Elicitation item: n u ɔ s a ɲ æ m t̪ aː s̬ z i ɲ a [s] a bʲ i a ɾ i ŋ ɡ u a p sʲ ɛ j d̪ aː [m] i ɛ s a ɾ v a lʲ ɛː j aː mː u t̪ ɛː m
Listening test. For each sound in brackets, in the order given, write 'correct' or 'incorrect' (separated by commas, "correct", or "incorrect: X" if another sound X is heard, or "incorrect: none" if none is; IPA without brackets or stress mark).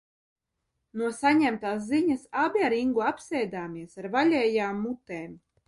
correct, correct